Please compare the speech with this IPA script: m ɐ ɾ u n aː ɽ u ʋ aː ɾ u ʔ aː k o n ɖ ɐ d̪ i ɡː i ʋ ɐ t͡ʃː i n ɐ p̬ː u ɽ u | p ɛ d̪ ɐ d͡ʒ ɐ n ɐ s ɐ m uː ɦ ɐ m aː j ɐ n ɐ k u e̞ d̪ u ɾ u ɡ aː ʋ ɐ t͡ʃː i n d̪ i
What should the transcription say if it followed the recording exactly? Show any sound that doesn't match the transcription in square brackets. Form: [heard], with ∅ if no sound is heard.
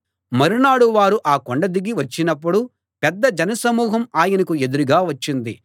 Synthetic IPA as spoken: m ɐ ɾ u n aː ɽ u ʋ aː ɾ u ʔ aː k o [ɳ] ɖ ɐ d̪ i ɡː i ʋ ɐ t͡ʃː i n ɐ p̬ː u ɽ u | p ɛ [d̪ː] ɐ d͡ʒ ɐ n ɐ s ɐ m uː ɦ ɐ m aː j ɐ n ɐ k u e̞ d̪ u ɾ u ɡ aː ʋ ɐ t͡ʃː i n d̪ i